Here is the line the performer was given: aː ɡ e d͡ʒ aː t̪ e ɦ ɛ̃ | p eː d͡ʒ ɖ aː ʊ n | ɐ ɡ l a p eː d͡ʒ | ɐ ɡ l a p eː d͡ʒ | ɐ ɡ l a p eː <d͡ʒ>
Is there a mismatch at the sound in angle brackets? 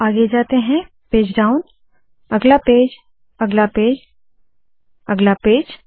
no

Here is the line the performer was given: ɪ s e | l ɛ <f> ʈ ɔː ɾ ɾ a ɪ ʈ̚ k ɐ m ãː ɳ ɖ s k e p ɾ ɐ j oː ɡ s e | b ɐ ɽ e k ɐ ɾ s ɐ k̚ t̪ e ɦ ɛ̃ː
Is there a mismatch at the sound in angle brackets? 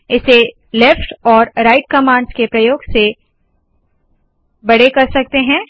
no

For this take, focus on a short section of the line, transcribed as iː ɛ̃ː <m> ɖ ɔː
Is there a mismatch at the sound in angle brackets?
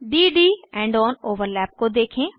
yes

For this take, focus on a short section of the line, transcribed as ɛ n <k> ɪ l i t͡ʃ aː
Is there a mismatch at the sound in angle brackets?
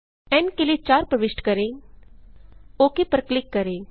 no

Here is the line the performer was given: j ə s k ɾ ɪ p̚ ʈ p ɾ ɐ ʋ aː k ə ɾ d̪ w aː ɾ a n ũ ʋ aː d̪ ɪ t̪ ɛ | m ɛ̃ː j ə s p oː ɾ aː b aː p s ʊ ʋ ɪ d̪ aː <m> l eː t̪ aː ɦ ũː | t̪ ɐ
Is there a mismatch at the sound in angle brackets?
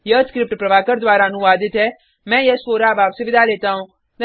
yes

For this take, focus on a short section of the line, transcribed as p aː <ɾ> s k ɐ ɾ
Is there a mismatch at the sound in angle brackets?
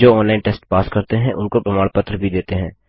yes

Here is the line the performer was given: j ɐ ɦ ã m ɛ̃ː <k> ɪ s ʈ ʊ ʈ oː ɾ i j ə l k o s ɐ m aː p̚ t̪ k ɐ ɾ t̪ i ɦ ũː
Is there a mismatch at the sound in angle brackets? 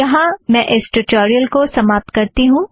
yes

